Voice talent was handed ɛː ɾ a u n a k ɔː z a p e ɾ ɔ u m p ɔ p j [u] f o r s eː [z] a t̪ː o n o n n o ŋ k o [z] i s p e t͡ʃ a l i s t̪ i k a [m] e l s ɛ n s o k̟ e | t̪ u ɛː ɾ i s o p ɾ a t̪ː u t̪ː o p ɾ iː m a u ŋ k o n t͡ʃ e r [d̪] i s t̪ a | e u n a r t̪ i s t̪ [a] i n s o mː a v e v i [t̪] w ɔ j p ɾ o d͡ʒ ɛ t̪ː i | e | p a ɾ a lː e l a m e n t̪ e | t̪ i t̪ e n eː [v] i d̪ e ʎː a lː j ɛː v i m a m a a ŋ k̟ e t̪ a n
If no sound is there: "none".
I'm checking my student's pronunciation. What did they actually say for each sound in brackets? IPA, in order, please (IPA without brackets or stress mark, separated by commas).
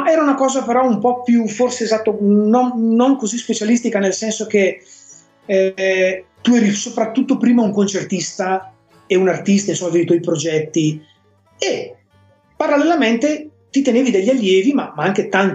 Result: u, z, z, n, t̪, a, t̪, v